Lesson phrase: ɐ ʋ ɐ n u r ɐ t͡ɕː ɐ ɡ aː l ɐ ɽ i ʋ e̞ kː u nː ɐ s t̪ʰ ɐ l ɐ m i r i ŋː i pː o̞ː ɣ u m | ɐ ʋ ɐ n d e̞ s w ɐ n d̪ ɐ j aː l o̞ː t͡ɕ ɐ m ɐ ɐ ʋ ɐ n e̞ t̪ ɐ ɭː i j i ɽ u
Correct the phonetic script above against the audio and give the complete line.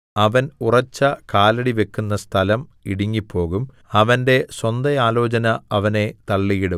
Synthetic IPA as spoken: ɐ ʋ ɐ n u r ɐ t͡ɕː ɐ k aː l ɐ ɽ i ʋ e̞ kː u nː ɐ s t̪ʰ ɐ l ɐ m i ɽ i ŋː i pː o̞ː ɣ u m | ɐ ʋ ɐ n d e̞ s w ɐ n d̪ ɐ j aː l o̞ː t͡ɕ ɐ n ɐ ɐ ʋ ɐ n e̞ t̪ ɐ ɭː i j i ɽ u